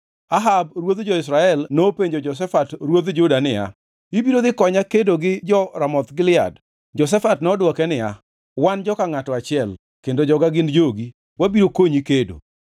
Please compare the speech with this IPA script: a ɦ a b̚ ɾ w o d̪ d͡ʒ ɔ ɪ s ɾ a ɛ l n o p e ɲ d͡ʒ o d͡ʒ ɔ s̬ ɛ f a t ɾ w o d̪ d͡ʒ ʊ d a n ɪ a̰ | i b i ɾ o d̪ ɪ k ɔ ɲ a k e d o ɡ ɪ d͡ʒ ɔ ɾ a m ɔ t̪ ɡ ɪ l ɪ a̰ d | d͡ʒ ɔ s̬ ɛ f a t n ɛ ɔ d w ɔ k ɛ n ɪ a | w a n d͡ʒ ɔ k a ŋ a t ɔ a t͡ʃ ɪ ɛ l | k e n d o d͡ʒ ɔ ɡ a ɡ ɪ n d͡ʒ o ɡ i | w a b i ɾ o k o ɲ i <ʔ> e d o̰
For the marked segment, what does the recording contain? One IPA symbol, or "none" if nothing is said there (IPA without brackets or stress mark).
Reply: k